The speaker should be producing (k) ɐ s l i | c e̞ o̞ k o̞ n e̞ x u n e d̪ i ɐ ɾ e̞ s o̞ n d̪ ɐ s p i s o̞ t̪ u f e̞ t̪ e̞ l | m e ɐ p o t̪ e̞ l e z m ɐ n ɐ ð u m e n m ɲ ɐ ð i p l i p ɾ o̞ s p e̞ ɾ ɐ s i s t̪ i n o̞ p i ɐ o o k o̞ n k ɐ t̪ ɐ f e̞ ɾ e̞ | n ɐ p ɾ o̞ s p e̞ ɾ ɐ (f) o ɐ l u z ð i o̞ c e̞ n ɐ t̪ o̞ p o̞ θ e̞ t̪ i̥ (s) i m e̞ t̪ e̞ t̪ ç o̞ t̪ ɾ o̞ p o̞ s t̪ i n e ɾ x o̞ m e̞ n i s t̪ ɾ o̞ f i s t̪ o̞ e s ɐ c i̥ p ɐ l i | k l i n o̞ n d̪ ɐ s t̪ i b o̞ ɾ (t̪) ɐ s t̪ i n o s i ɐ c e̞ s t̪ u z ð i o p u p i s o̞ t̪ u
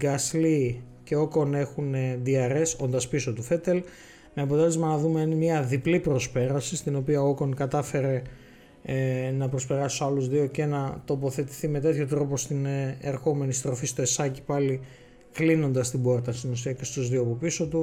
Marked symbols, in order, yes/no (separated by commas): no, no, no, yes